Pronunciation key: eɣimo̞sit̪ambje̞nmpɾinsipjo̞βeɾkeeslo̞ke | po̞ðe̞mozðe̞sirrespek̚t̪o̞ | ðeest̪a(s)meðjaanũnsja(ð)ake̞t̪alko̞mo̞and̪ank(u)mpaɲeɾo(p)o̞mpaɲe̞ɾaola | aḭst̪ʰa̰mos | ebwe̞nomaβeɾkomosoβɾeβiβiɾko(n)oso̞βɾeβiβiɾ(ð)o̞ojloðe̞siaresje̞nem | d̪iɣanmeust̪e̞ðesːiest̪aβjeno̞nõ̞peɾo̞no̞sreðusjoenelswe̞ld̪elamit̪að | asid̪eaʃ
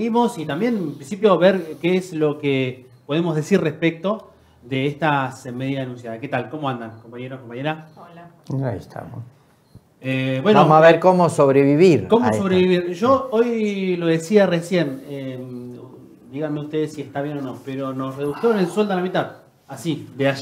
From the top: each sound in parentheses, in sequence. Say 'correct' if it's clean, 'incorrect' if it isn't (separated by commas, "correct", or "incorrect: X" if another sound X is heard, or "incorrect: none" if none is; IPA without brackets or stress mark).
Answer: correct, correct, incorrect: o, incorrect: k, incorrect: m, incorrect: ʒ